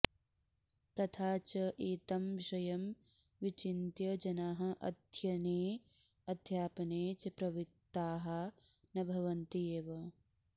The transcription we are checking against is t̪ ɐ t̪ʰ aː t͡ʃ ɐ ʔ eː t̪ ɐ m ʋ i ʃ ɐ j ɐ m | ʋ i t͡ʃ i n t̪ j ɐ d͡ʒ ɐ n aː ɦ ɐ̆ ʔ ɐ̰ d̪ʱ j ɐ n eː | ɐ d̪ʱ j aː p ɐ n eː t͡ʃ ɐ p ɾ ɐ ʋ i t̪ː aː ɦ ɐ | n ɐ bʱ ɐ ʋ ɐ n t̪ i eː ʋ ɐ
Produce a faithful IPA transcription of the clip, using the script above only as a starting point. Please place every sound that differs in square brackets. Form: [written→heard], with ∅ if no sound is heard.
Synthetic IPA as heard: t̪ ɐ t̪ʰ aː t͡ʃ ɐ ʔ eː t̪ ɐ m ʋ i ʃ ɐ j ɐ m | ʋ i t͡ʃ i n t̪ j ɐ d͡ʒ ɐ n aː ɦ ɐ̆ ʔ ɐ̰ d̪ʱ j ɐ n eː | ɐ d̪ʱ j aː p ɐ n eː t͡ʃ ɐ p ɾ ɐ ʋ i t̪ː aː ɦ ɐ | n ɐ bʱ ɐ ʋ ɐ n t̪ i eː ʋ ɐ